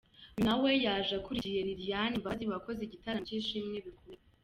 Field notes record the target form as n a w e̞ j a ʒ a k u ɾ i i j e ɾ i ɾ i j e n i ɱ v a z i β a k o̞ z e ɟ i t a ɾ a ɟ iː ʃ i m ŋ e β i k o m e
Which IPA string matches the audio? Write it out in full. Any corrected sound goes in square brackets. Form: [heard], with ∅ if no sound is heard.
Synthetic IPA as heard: n a w e̞ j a ʒ a k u ɾ i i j e ɾ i ɾ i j [a] n i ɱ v a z i β a k o̞ z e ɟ i t a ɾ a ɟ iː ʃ i m ŋ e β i k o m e